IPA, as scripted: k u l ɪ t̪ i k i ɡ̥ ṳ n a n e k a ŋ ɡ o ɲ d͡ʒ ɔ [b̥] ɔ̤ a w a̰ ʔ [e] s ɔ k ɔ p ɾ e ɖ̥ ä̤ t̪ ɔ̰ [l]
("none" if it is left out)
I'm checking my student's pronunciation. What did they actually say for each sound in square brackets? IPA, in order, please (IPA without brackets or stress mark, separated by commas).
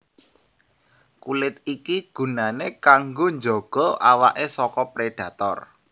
ɡ̥, e, r